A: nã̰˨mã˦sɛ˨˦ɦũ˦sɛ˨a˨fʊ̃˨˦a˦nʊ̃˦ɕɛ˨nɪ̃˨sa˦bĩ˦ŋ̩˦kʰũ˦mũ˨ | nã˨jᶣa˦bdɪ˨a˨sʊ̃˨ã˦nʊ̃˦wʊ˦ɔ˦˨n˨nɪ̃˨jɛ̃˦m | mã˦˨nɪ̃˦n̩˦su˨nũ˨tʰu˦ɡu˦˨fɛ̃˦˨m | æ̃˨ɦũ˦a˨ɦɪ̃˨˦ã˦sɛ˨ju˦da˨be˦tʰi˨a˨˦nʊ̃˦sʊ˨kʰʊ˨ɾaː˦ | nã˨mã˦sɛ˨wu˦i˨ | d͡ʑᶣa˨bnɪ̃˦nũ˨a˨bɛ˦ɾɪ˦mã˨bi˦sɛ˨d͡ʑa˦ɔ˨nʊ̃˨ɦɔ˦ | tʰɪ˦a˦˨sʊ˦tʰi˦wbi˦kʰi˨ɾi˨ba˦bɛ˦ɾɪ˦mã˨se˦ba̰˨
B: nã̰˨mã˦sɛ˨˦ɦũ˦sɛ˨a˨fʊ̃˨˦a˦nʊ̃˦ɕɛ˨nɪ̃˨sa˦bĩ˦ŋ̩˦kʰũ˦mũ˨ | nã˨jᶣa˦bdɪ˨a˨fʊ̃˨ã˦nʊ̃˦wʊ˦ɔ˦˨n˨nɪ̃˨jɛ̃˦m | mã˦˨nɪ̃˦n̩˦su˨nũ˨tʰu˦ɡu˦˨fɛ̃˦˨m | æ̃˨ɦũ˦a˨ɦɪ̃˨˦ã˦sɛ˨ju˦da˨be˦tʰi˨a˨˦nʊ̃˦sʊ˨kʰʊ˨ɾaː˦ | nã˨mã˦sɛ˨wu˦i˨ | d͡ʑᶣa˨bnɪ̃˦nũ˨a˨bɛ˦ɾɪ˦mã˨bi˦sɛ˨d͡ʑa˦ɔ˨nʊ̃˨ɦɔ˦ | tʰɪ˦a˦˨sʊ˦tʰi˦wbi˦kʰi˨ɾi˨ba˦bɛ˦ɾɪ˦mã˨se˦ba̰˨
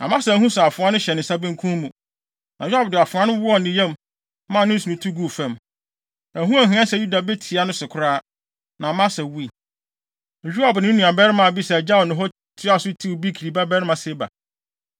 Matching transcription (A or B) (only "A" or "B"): B